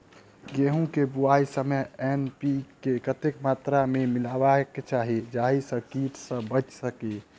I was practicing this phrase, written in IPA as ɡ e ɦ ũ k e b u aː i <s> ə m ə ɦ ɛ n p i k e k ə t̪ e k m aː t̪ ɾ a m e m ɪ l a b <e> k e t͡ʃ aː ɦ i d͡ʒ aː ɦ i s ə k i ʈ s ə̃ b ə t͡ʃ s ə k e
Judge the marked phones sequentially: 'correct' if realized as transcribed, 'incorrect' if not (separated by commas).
correct, incorrect